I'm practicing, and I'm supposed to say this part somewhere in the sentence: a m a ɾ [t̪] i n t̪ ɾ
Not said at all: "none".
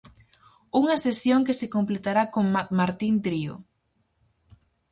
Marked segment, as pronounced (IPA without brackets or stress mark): t̪